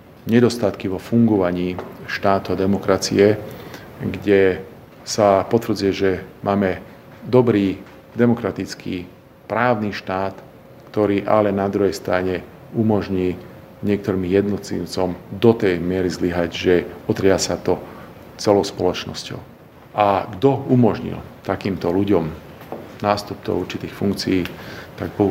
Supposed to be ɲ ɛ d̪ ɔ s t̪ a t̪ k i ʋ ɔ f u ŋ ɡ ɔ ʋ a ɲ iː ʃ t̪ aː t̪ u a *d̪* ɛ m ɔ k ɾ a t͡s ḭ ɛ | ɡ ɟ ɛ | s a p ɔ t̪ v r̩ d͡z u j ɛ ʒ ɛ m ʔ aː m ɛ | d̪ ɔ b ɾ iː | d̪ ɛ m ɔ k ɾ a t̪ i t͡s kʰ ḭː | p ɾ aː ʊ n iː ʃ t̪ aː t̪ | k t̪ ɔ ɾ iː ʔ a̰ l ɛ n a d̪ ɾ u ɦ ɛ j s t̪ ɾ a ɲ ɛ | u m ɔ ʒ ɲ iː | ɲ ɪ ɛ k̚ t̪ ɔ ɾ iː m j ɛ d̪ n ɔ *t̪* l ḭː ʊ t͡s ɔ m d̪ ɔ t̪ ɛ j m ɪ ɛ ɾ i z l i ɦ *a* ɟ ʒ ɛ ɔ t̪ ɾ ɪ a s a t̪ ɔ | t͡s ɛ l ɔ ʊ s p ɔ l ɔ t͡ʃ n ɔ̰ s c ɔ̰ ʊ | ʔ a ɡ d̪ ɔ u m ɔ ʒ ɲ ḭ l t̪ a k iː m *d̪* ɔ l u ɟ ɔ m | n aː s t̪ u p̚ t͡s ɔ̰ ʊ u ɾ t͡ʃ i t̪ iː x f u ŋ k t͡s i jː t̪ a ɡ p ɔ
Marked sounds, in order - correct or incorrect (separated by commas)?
correct, correct, correct, incorrect